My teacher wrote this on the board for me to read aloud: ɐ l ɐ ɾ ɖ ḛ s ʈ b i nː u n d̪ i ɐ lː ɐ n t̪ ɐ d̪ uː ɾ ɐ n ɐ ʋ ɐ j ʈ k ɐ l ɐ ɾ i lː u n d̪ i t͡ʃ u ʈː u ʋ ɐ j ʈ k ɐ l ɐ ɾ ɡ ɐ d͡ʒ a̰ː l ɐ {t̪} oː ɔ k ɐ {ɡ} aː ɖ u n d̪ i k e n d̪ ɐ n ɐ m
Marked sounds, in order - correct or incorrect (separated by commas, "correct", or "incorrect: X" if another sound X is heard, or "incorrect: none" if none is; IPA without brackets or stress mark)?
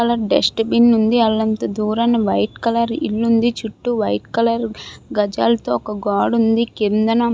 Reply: correct, correct